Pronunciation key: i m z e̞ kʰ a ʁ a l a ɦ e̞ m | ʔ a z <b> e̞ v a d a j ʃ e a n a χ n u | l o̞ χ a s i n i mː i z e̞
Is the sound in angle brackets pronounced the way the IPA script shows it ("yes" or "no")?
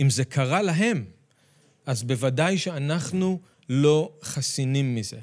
yes